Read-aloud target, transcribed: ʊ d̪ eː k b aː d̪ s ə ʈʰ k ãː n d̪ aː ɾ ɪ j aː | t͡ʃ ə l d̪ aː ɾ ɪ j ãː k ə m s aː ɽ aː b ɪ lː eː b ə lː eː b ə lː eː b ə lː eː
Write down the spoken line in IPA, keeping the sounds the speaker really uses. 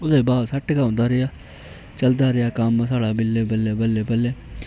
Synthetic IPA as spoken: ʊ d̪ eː b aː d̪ s ə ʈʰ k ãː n d̪ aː ɾ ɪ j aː | t͡ʃ ə l d̪ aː ɾ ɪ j aː k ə m s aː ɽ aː b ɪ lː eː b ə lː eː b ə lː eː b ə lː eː